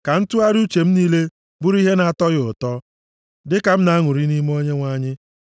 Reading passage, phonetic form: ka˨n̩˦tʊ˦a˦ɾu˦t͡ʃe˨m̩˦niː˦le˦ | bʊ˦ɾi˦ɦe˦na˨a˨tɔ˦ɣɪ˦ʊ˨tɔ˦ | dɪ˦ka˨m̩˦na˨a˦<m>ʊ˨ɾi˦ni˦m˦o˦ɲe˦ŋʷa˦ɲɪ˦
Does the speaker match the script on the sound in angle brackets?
no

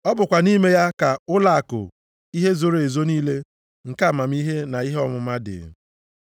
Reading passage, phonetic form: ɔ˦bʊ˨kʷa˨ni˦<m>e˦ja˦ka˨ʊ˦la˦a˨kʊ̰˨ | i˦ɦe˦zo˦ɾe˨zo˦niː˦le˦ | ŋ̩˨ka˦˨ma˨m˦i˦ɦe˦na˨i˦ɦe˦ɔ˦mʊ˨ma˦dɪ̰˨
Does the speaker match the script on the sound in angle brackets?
yes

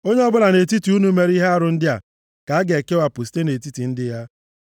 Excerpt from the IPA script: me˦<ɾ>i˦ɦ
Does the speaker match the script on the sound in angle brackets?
yes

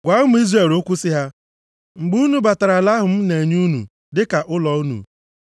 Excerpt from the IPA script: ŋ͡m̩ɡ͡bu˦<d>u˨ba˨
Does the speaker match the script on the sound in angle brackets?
no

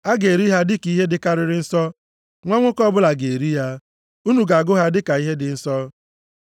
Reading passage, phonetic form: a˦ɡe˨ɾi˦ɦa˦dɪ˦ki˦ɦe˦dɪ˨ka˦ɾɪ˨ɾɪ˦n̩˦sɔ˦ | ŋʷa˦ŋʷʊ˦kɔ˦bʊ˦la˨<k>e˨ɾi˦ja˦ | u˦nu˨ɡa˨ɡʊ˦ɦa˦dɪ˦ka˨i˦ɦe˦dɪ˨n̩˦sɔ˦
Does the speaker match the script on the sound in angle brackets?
no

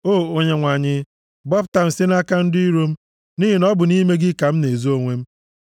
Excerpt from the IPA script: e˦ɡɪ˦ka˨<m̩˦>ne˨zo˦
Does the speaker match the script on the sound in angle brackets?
yes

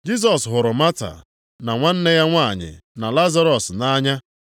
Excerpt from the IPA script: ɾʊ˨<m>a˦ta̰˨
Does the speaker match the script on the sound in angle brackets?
yes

